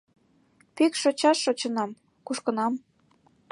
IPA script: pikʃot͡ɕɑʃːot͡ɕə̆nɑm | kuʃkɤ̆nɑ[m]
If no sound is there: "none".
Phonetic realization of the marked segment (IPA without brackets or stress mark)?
m